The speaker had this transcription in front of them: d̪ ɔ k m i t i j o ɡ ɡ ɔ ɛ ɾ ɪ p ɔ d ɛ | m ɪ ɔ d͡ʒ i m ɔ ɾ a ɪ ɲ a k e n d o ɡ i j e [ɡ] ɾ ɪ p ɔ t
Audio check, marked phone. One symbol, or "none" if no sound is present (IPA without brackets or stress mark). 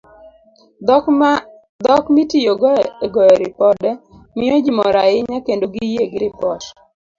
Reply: ɡ